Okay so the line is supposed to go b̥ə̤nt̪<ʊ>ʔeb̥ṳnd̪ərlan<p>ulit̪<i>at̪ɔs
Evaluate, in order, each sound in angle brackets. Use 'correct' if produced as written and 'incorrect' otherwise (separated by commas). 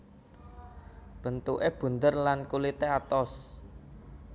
incorrect, incorrect, incorrect